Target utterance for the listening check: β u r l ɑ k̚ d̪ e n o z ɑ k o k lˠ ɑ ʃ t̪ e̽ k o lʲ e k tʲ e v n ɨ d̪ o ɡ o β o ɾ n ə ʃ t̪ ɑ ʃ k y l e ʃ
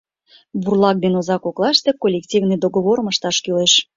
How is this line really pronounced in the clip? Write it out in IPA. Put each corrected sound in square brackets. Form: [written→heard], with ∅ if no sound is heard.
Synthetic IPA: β u r l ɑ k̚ d̪ e n o z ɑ k o k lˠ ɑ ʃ t̪ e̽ k o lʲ e k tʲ [e→i] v n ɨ d̪ o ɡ o β o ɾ [n→m] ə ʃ t̪ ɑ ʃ k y l e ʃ